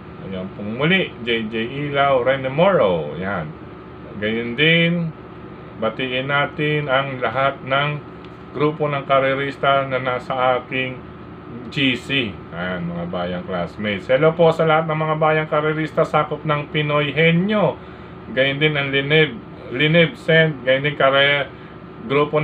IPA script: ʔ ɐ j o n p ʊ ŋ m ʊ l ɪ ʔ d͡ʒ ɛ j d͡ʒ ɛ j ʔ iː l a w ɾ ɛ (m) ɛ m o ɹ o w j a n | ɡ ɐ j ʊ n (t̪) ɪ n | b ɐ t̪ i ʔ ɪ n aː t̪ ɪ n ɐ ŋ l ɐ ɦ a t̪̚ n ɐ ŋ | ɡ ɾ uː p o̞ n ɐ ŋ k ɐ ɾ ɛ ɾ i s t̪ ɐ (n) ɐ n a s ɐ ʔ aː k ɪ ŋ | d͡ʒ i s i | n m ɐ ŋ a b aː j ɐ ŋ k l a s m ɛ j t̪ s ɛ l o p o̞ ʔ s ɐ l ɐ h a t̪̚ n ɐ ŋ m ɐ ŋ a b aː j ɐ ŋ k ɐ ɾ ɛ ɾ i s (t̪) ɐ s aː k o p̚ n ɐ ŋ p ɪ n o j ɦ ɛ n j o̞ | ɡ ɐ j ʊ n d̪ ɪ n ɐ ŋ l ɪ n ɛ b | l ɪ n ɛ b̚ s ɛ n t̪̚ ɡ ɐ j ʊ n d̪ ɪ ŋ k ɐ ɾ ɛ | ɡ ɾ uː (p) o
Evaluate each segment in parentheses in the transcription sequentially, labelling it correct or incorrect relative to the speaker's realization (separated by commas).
incorrect, incorrect, correct, correct, correct